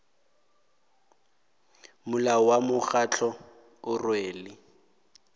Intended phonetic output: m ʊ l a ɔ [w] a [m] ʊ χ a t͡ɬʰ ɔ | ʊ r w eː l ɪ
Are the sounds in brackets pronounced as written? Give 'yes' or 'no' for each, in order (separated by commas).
yes, yes